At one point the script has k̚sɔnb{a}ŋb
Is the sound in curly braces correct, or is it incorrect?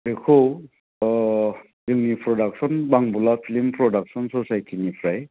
correct